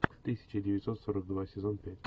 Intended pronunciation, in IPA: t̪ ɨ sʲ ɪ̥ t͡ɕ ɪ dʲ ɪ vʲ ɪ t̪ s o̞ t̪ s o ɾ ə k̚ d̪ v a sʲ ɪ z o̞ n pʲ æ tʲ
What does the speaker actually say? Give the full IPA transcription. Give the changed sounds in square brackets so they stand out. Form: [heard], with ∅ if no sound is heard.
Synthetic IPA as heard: t̪ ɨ sʲ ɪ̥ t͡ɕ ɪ dʲ ɪ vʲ ɪ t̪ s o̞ t̪ s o ɾ ə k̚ d̪ v a sʲ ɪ z o̞ n pʲ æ tʲ